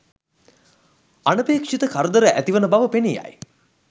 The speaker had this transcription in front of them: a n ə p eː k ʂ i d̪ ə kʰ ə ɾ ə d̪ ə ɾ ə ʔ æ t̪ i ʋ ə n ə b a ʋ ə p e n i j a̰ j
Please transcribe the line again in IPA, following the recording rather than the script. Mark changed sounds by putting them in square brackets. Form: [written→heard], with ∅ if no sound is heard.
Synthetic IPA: a n ə p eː k ʂ i [d̪→t̪] ə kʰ [ə→a] ɾ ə d̪ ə ɾ ə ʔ æ t̪ i ʋ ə n ə b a ʋ ə p e n i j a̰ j